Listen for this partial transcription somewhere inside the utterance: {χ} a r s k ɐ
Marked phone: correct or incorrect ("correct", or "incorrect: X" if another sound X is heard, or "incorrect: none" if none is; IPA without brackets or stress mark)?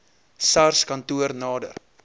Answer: incorrect: s